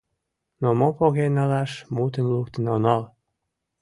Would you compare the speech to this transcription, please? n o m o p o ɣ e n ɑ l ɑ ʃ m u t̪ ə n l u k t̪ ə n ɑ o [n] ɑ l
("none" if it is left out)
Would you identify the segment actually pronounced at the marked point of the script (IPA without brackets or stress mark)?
n